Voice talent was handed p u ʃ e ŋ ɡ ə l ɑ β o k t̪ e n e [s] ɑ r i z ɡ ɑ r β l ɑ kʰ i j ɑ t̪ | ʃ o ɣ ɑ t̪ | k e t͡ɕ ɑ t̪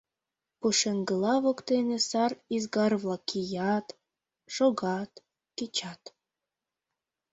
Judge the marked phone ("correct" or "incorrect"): correct